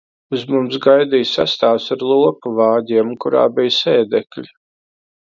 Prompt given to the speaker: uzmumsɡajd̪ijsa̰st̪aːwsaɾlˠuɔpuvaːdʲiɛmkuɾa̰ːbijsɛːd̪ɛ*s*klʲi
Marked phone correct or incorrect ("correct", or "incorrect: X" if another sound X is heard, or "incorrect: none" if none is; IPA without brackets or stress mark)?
incorrect: none